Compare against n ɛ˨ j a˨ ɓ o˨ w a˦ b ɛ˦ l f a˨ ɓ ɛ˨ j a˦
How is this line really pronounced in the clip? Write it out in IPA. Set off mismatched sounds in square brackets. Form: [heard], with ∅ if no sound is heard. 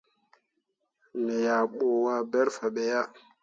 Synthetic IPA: n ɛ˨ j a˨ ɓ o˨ w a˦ b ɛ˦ [ɾ] f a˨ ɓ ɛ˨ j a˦

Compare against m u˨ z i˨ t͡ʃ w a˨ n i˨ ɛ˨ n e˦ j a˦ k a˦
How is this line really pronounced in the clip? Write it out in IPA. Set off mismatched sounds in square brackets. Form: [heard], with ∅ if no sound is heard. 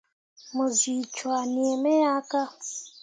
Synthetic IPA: m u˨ z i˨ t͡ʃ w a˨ n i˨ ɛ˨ [m] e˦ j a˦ k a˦

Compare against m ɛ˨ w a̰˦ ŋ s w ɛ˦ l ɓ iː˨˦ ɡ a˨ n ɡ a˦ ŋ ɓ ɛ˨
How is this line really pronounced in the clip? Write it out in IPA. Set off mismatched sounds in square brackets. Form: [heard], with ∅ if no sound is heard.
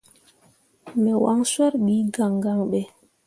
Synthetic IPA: m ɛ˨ w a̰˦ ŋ s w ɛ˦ [ɾ] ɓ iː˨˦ ɡ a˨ [ŋ] ɡ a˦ ŋ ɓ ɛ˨

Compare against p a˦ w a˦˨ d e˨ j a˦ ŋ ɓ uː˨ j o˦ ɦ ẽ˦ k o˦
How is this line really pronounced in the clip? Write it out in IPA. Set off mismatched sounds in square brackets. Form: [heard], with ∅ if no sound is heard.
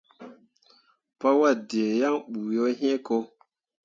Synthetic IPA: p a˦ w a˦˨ d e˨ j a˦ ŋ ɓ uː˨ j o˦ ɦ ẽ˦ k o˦

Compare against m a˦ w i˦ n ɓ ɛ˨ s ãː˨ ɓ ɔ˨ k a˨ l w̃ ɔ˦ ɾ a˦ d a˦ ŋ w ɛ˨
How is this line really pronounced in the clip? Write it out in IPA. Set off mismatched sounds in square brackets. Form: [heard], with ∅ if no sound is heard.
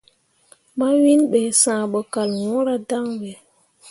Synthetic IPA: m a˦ w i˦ n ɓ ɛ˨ s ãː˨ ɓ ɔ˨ k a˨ l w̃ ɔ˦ ɾ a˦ d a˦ ŋ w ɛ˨

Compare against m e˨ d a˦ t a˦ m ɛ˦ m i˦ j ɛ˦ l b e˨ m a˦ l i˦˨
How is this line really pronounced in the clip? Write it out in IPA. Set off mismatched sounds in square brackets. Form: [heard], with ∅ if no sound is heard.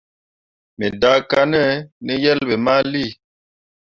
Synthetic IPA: m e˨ d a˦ [k] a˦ [n] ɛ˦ [n] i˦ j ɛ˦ l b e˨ m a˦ l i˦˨

